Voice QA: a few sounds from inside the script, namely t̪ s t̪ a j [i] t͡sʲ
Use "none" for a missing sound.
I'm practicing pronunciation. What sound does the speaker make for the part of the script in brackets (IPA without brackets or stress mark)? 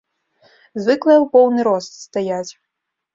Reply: a